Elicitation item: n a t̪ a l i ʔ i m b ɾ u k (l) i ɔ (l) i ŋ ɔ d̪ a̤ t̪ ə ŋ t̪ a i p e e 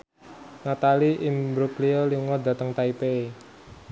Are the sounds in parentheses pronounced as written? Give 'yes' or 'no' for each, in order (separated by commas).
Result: yes, yes